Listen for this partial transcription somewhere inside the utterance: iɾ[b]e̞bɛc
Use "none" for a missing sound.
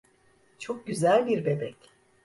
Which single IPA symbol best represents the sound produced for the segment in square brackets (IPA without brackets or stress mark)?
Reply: b